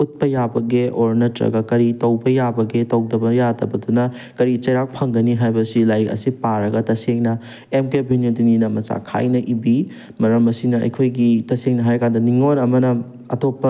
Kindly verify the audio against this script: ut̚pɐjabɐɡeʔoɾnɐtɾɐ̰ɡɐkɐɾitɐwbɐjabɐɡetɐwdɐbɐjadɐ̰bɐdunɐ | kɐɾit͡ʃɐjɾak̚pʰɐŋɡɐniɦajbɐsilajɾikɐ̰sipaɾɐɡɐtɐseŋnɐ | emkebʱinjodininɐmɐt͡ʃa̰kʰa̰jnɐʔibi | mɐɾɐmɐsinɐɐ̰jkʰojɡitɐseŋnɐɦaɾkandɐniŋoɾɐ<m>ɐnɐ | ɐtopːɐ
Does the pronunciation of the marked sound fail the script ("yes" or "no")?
no